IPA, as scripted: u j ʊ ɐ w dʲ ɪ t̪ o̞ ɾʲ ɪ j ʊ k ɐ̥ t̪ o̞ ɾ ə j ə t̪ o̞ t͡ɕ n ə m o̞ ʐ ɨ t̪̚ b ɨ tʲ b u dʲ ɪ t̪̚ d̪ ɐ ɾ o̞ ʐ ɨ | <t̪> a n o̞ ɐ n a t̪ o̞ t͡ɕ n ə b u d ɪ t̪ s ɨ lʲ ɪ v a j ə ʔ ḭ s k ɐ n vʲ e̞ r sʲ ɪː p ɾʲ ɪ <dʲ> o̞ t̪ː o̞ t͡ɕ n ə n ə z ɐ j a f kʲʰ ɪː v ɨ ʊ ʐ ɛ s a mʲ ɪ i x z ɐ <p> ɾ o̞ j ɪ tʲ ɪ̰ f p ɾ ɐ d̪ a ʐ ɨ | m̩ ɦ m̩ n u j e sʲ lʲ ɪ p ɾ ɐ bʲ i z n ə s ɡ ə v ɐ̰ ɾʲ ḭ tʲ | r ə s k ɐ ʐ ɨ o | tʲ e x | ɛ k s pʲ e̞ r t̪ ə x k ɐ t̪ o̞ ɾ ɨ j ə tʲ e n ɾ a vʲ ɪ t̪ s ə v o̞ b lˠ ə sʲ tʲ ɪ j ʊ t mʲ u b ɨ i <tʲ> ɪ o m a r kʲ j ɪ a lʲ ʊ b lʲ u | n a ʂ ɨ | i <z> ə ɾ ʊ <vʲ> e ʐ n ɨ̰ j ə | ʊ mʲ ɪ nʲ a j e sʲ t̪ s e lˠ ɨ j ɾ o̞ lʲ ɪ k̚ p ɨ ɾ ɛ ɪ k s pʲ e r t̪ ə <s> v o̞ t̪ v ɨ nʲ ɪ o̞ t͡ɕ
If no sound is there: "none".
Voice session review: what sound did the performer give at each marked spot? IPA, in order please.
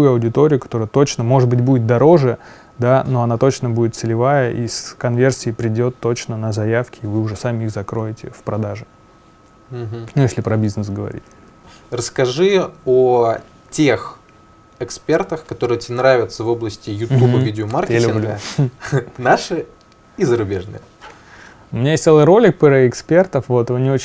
d̪, dʲ, k, dʲ, z, bʲ, f

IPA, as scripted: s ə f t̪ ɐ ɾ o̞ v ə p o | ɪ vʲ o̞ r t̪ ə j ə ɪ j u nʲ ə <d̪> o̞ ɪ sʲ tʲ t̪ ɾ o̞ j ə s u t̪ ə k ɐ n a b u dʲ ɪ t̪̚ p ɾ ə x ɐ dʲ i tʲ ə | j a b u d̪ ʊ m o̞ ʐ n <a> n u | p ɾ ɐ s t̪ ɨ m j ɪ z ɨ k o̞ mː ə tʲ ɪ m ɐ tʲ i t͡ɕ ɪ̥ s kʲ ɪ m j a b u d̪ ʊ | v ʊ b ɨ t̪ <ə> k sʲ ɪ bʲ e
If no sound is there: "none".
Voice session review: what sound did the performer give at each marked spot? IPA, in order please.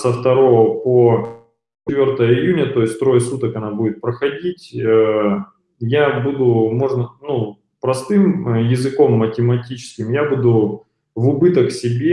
t̪, ə, ə

